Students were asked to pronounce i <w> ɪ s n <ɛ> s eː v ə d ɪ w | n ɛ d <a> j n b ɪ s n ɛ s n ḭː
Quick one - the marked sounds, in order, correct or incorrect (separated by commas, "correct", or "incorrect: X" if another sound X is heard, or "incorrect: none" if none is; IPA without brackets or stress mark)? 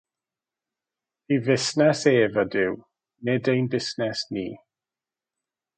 incorrect: v, correct, incorrect: e